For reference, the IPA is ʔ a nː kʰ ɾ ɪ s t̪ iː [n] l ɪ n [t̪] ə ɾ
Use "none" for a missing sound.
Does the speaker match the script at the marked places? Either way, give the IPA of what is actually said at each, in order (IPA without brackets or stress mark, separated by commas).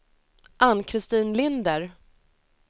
n, d̪